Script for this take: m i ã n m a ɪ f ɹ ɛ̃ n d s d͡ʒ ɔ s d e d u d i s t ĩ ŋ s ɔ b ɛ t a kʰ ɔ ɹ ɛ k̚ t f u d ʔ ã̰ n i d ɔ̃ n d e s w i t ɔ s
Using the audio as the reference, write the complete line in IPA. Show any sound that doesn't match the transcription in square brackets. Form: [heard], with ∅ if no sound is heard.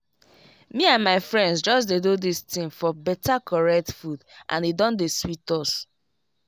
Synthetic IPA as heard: m i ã n m a ɪ f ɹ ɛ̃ n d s d͡ʒ ɔ s d e d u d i s t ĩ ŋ [f] ɔ b ɛ t a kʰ ɔ ɹ ɛ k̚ t f u d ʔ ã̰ n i d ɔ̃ n d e s w i t ɔ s

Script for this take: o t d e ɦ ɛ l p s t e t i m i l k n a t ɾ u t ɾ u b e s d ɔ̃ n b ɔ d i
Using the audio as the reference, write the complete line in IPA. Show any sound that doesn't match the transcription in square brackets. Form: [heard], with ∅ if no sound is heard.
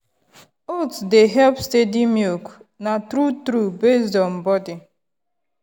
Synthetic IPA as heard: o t d e ɦ ɛ l p s t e [d] i m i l k n a t ɾ u t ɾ u b e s d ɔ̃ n b ɔ d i

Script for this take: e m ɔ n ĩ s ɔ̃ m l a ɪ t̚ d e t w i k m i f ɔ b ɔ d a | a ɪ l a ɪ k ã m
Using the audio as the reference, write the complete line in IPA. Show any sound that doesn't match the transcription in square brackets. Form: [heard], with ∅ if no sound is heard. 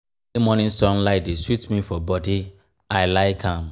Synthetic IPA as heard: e m ɔ n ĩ s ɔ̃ [n] l a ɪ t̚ d e [s] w i [t] m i f ɔ b ɔ d [i] | a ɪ l a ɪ k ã m

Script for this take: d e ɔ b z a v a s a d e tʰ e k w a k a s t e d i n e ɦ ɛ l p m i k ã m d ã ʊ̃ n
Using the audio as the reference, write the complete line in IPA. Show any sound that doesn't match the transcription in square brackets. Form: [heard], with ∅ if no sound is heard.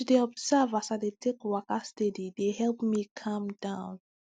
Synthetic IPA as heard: d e ɔ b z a v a s a d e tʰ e k w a k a s t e d i [d] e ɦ ɛ l p m i [kʰ] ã m d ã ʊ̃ n

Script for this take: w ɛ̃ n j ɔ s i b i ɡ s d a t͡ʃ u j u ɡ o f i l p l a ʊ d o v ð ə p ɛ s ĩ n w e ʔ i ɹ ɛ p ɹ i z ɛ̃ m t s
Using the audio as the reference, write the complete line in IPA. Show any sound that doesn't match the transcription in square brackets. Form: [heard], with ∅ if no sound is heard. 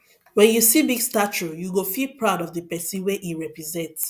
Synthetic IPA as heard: w ɛ̃ n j [u] s i b i ɡ s [t] a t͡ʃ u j u ɡ o f i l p [ɹ] a ʊ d [ɔ] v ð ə p ɛ s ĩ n w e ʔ i ɹ ɛ p ɹ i z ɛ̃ [n] t s

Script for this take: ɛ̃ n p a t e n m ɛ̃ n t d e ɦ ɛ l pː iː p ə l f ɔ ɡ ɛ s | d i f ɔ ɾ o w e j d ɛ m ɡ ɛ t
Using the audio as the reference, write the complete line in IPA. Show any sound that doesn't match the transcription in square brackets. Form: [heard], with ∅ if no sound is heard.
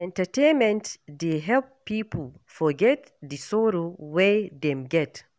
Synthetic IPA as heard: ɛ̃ n [t] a t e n m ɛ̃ n t d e ɦ ɛ l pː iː p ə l f ɔ ɡ ɛ [t] | d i [s] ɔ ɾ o w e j d ɛ m ɡ ɛ t

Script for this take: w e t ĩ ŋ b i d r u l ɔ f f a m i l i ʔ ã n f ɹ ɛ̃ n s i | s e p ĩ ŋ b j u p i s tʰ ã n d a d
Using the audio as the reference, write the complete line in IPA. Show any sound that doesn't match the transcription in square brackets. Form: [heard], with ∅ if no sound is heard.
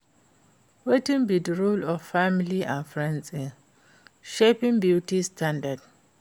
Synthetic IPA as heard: w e t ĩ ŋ b i d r u l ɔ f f a m i l i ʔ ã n f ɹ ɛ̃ n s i | [ʃ] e p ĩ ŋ b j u [t] i s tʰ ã n d a d

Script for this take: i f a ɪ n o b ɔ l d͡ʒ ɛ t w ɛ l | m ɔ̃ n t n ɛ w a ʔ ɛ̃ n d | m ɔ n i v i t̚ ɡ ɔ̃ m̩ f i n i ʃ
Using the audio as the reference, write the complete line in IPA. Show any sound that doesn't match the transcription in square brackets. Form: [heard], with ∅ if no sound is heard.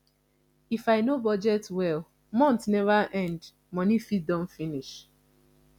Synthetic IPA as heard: i f a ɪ n o b ɔ [∅] d͡ʒ ɛ t w ɛ l | m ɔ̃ n t n ɛ [v] a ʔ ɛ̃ n d | m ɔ n i [f] i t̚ [d] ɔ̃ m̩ f i n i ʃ

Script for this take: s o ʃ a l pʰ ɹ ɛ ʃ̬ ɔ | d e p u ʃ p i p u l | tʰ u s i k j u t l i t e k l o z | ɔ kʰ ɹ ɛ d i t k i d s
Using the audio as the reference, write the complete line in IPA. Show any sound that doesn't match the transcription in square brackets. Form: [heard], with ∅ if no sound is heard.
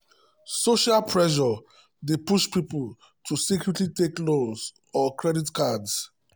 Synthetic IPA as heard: s o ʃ a l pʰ ɹ ɛ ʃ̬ ɔ | d e p u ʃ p i p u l | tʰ u s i k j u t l i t e k l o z | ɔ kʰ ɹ ɛ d i t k [a] d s

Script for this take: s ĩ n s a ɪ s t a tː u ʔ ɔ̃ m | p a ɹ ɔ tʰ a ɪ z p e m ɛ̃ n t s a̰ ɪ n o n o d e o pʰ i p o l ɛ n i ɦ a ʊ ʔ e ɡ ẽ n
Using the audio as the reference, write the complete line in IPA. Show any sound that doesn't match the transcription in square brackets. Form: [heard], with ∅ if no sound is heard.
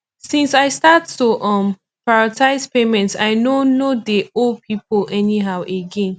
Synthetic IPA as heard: s ĩ n s a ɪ s t a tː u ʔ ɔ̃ m | p a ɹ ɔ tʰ a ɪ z p e m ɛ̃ n t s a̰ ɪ n o n o d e o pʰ i p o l ɛ n i ɦ a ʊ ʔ e ɡ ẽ n

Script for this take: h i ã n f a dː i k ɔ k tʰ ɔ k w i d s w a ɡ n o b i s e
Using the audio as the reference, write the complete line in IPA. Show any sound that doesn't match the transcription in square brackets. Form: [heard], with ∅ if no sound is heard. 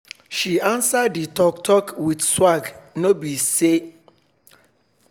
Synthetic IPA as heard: [ʃ] i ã n [s] a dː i [t] ɔ k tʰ ɔ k w i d s w a ɡ n o b i s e

